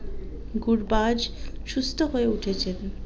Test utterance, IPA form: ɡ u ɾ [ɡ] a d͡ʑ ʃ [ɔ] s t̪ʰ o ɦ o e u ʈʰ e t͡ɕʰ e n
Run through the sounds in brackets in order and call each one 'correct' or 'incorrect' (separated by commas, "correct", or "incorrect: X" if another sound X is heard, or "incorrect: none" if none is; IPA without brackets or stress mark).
incorrect: b, incorrect: u